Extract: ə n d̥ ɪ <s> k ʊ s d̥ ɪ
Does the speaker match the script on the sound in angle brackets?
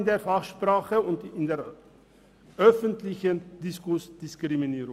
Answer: yes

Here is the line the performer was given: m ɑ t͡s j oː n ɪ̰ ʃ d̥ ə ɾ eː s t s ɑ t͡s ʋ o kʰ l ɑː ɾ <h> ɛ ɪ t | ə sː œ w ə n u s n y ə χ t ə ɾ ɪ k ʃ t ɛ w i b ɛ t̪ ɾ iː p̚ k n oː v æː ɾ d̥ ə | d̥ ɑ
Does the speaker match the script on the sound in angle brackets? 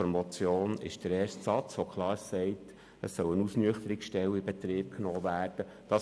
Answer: no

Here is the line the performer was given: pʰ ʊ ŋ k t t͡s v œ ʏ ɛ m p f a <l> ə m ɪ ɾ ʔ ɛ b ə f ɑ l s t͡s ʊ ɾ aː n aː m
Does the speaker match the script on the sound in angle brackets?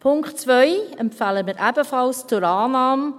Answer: yes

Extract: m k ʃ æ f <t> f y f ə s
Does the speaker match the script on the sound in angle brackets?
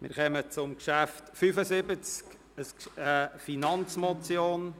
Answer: yes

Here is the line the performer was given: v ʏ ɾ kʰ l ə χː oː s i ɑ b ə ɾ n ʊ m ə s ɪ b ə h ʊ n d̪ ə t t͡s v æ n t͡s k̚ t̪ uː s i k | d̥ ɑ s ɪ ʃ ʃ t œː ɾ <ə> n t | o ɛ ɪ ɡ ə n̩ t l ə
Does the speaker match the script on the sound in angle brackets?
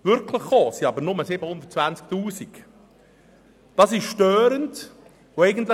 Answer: yes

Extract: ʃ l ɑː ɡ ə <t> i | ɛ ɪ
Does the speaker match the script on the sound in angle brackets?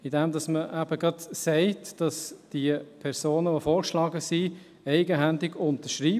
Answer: no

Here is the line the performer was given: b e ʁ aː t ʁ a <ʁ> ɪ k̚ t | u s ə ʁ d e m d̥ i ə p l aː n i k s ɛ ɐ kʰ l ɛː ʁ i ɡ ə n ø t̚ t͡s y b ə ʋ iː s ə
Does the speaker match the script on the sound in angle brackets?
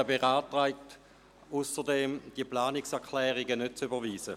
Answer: no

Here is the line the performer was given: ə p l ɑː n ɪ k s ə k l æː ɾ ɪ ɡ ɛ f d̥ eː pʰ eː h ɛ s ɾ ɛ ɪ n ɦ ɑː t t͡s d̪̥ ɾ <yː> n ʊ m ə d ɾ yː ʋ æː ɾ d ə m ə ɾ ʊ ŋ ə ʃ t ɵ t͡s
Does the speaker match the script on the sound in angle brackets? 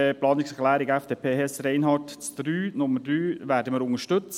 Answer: yes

